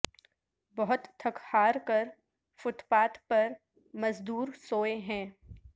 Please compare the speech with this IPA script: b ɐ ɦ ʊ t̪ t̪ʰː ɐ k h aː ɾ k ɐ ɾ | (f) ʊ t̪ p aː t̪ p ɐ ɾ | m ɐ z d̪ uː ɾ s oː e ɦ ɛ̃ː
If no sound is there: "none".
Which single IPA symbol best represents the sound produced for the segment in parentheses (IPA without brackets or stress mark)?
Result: f